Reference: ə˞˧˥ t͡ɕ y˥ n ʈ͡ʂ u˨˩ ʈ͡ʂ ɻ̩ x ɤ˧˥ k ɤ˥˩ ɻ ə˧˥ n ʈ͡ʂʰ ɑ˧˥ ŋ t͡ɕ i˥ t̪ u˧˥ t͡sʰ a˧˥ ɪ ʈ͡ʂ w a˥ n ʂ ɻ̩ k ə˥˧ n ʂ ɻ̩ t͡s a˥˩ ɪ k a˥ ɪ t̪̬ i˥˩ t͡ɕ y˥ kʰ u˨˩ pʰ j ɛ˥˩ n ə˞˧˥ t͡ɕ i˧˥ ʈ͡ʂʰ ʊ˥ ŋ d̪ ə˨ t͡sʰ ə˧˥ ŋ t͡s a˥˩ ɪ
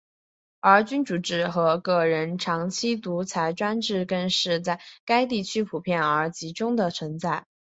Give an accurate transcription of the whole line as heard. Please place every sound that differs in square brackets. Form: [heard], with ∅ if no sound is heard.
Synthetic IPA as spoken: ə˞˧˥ t͡ɕ y˥ n ʈ͡ʂ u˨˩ ʈ͡ʂ ɻ̩ x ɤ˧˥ k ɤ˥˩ ɻ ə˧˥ n ʈ͡ʂʰ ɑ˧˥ ŋ [t͡ɕʰ] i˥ t̪ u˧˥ t͡sʰ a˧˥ ɪ ʈ͡ʂ w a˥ n [ʈ͡ʂ] ɻ̩ k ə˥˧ n ʂ ɻ̩ t͡s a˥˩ ɪ k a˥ ɪ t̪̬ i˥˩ [t͡ɕʰ] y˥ [pʰ] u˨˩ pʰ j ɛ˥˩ n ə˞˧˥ t͡ɕ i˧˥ [ʈ͡ʂ] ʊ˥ ŋ d̪ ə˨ t͡sʰ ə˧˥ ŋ t͡s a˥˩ ɪ